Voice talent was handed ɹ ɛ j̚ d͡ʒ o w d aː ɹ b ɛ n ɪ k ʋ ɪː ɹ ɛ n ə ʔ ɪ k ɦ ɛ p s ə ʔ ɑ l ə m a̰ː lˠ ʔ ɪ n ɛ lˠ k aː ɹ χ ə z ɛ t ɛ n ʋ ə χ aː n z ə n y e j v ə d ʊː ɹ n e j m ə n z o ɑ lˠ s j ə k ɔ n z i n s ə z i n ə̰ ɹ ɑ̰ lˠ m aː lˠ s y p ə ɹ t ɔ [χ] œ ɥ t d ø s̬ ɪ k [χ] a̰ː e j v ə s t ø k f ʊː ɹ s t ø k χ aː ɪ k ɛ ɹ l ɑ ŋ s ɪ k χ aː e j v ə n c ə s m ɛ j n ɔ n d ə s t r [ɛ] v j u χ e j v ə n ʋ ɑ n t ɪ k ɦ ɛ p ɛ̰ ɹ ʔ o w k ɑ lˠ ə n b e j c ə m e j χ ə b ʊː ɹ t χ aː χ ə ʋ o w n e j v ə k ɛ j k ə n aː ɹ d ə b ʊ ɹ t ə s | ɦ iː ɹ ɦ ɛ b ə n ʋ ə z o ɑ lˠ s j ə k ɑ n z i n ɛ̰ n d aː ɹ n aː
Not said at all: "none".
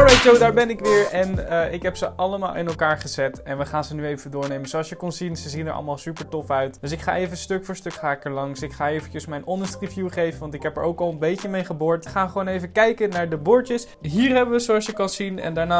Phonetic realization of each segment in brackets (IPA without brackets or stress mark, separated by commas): f, χ, i